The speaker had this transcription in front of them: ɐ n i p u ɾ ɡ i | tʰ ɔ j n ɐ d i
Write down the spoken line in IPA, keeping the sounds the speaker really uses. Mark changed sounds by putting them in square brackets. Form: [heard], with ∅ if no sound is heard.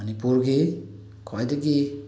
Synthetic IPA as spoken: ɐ n i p u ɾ ɡ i | [kʰ] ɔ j [d] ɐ [ɡ] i